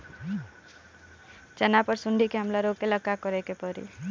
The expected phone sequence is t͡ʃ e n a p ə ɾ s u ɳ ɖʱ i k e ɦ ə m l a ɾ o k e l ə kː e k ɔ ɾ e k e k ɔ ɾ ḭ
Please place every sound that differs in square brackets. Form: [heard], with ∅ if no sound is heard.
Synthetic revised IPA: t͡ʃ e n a p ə ɾ s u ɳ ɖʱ i k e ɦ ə m l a ɾ o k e l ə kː [a] k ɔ ɾ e k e [p] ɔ ɾ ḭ